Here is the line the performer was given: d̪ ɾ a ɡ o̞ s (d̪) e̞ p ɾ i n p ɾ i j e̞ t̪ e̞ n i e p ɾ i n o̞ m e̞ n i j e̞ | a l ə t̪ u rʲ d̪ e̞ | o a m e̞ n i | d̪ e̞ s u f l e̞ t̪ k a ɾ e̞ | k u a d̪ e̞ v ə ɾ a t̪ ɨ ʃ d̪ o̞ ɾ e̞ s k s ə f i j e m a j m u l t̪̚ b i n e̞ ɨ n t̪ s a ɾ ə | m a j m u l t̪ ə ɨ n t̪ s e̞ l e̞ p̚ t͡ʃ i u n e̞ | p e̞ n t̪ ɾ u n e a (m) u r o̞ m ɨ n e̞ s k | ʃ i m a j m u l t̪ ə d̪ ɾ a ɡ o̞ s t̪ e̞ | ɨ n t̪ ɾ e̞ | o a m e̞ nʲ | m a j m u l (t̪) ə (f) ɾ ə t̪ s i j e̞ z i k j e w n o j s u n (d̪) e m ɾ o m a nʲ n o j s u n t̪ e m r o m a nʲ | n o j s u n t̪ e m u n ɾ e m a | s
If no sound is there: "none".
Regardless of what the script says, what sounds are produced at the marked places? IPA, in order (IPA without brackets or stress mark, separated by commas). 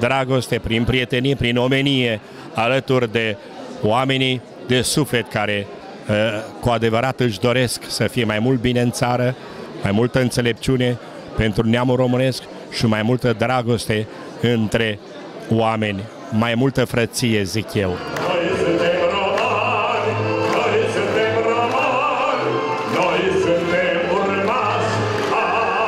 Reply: t̪, m, t̪, f, t̪